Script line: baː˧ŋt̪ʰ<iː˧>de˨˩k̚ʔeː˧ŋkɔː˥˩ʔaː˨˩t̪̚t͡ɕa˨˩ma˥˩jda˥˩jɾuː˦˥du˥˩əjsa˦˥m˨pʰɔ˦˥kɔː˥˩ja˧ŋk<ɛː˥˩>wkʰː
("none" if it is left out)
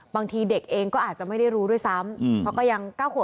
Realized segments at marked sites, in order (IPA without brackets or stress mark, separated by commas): iː˧, aː˥˩